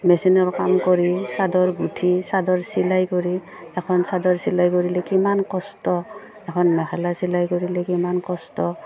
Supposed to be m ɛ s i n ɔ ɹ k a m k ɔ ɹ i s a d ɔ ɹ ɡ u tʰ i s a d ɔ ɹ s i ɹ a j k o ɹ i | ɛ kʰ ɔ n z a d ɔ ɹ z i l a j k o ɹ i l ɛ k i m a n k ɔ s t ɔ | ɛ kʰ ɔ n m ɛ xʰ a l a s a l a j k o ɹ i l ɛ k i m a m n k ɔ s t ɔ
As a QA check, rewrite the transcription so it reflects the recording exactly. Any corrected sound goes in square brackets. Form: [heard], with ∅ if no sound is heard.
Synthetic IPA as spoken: m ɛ s i n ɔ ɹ k a m k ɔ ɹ i s a d ɔ ɹ ɡ u tʰ i s a d ɔ ɹ s i [l] a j k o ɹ i | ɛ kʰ ɔ n [s] a d ɔ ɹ [s] i l a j k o ɹ i l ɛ k i m a n k ɔ s t ɔ | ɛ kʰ ɔ n m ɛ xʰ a l a s [i] l a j k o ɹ i l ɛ k i m a [∅] n k ɔ s t ɔ